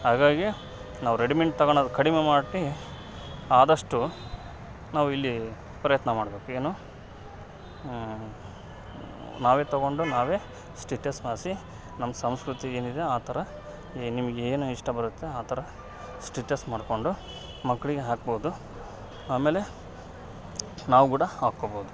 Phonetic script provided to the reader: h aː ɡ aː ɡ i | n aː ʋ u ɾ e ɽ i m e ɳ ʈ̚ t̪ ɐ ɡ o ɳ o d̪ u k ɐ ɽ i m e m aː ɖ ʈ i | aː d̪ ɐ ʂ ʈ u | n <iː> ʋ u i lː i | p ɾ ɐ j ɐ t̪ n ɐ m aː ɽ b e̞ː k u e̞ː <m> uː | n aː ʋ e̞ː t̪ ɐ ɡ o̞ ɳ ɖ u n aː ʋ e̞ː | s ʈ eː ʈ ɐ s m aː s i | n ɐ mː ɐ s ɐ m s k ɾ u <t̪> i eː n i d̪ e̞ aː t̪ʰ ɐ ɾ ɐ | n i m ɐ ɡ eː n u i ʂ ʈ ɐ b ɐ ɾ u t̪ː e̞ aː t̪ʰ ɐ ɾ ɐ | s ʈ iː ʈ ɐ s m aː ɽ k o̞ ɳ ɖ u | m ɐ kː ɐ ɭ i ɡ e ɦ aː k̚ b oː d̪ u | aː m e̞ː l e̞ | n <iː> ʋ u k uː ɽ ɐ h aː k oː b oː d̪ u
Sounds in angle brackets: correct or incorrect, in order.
incorrect, incorrect, correct, incorrect

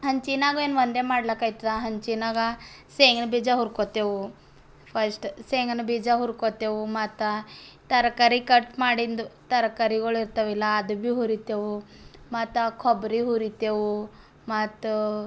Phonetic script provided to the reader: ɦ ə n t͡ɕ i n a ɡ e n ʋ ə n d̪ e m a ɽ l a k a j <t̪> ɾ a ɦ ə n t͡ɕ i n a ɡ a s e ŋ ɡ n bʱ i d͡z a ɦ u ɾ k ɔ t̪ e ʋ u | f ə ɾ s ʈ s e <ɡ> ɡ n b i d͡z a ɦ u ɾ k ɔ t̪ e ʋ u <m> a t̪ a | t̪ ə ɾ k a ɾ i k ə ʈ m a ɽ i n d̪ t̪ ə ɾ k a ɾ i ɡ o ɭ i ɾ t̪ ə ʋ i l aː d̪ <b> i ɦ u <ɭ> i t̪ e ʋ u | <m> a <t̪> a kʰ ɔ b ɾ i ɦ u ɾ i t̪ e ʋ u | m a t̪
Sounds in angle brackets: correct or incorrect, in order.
correct, incorrect, correct, correct, incorrect, correct, correct

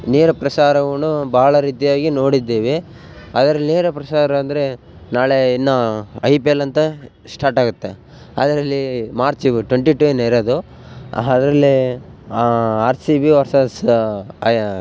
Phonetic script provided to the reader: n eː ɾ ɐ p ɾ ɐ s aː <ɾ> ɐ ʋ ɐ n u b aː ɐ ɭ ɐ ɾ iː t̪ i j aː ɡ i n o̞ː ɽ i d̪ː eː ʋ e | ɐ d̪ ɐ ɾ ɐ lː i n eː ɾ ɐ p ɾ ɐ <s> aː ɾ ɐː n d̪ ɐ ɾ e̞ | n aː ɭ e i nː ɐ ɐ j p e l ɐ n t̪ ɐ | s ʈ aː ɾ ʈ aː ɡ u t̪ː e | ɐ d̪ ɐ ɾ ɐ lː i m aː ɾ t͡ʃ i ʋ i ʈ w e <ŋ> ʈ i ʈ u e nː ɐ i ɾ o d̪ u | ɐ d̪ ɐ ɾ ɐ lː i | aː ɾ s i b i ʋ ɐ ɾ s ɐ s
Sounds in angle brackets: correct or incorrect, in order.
correct, correct, incorrect

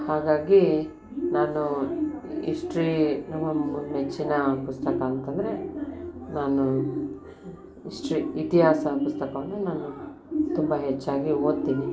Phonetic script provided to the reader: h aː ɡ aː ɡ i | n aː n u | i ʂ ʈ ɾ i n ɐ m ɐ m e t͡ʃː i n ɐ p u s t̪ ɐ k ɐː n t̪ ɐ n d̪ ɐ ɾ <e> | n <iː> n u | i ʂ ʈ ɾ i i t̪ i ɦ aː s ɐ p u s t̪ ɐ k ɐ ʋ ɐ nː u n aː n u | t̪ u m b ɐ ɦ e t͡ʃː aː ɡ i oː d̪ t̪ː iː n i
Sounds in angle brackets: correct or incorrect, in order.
correct, incorrect

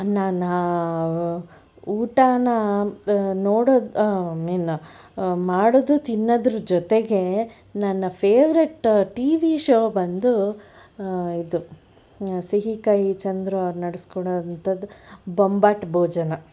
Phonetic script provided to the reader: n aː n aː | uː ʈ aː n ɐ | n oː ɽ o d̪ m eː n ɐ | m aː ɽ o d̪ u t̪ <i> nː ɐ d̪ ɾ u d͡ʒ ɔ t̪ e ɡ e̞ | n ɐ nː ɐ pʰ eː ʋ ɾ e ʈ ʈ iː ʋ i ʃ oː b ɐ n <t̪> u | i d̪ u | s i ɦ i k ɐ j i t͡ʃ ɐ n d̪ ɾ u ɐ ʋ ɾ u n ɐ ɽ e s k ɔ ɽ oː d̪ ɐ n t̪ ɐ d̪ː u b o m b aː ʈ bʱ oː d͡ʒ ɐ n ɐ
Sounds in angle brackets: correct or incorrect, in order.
correct, incorrect

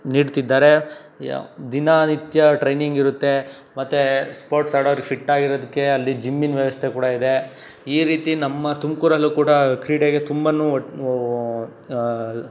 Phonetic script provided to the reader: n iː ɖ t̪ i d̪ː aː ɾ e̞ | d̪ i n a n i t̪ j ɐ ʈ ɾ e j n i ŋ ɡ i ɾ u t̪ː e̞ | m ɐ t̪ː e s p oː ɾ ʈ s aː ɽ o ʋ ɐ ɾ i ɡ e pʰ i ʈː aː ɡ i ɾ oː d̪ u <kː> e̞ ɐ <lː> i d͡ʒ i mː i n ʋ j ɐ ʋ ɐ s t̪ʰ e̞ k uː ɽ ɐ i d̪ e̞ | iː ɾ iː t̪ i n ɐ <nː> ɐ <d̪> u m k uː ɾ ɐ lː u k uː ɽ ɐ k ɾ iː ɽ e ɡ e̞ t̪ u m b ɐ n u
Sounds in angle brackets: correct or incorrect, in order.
correct, correct, incorrect, incorrect

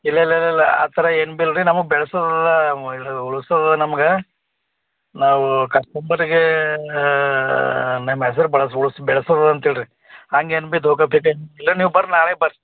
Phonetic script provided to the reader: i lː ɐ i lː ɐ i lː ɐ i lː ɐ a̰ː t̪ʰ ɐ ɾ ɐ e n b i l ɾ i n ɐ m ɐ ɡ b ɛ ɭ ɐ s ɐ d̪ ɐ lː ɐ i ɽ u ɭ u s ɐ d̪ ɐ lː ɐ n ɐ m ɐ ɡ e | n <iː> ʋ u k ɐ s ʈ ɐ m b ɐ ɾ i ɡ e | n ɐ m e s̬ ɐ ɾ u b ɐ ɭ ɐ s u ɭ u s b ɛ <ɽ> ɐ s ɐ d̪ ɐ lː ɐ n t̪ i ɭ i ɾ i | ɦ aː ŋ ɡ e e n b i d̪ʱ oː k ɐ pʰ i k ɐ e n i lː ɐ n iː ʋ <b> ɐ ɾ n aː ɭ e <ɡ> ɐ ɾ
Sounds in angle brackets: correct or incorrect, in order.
incorrect, incorrect, correct, incorrect

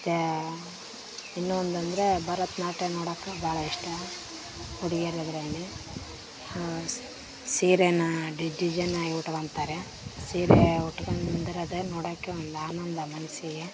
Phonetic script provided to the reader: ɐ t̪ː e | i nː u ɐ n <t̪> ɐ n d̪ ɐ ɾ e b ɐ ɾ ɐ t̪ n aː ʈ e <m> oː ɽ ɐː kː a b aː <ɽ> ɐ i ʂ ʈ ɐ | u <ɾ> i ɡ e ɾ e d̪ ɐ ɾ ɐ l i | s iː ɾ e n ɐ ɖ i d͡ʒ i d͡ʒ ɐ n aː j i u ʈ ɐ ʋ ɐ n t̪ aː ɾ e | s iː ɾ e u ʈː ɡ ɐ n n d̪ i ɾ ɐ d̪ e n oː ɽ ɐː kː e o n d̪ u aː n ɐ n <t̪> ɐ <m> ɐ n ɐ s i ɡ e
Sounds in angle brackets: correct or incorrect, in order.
incorrect, incorrect, incorrect, incorrect, incorrect, correct

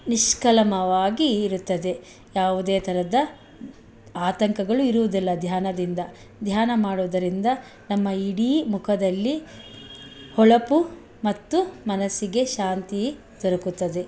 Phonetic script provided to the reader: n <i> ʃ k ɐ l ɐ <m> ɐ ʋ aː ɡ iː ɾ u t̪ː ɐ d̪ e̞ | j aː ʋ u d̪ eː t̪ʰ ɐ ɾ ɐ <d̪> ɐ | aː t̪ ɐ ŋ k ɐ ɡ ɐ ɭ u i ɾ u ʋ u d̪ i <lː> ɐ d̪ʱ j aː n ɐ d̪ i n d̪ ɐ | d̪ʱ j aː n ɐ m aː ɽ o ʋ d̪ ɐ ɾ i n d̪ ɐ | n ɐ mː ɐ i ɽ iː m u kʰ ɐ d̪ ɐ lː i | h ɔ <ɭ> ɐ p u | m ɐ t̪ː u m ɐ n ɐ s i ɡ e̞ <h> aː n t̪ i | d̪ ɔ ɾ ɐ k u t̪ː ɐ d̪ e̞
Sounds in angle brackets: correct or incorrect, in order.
correct, correct, correct, correct, correct, incorrect

